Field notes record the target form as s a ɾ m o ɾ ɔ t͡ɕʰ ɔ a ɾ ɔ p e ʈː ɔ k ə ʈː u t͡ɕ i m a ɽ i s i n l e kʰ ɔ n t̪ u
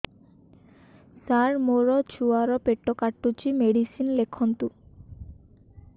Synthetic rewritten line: s a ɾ m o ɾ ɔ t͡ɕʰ u a ɾ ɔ p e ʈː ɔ k a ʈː u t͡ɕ i m e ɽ i s i n l e kʰ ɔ n t̪ u